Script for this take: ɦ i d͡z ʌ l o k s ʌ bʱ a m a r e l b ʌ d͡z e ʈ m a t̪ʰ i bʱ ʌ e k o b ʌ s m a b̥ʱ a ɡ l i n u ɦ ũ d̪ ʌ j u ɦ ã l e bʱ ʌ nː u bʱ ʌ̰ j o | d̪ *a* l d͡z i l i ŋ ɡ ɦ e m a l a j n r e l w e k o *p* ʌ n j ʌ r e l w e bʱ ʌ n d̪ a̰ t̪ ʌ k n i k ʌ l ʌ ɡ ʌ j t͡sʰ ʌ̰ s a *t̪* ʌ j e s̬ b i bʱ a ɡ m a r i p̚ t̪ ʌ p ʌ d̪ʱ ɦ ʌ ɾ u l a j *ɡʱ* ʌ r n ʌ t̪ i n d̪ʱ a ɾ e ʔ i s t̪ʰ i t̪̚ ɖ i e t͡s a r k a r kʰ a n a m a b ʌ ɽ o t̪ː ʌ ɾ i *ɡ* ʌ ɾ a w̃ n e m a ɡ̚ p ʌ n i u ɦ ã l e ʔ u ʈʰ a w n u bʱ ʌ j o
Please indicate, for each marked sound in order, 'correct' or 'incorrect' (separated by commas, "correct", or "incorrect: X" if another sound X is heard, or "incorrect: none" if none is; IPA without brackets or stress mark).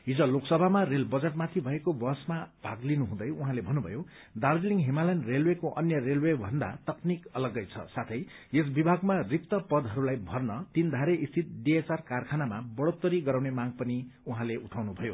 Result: correct, incorrect: ʔ, incorrect: t̪ʰ, incorrect: bʱ, correct